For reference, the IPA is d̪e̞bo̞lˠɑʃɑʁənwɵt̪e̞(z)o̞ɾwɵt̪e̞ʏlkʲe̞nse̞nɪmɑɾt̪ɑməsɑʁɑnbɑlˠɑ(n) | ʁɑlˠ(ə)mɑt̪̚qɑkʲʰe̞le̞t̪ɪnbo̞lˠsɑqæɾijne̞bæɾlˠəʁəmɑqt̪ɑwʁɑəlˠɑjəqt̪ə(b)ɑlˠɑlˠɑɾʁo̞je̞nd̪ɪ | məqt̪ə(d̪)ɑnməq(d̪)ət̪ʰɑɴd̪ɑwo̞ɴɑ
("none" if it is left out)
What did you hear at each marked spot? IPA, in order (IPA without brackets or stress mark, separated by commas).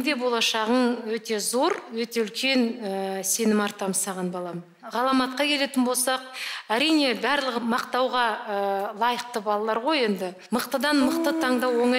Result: z, m, ɑ, b, d̪, t̪